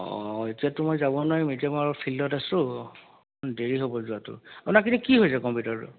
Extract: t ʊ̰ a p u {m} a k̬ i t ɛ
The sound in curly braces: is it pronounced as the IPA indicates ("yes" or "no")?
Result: no